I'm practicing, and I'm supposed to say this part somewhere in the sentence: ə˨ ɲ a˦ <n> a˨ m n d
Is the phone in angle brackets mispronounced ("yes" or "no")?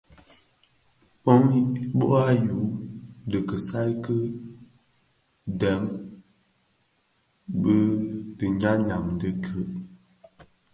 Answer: yes